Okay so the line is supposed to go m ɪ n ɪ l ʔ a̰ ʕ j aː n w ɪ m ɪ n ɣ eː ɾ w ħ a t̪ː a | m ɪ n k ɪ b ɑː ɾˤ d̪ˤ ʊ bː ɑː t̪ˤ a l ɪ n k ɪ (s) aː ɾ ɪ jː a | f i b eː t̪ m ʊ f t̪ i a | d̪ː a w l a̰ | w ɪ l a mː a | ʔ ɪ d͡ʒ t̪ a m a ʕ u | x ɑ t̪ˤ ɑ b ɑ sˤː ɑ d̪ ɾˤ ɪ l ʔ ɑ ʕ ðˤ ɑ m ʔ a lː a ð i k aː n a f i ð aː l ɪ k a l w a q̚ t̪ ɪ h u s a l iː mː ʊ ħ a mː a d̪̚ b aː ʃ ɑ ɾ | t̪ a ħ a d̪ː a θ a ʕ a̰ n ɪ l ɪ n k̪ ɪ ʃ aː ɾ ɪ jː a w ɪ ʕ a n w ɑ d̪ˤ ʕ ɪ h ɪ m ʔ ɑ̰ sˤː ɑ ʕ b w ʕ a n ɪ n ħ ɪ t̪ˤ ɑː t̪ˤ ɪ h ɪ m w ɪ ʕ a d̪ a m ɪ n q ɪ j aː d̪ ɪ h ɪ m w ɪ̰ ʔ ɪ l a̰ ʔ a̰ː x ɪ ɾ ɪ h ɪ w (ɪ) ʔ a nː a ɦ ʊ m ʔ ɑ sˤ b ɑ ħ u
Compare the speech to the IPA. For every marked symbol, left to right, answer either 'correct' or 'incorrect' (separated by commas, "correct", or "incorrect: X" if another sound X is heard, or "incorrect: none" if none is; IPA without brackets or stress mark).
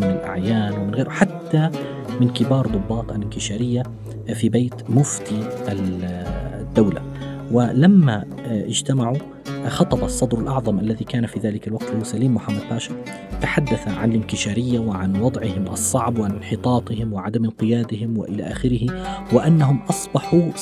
incorrect: ʃ, correct